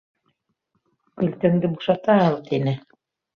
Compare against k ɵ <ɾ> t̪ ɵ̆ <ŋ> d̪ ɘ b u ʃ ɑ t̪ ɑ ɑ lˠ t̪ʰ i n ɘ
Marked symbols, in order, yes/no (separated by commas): no, yes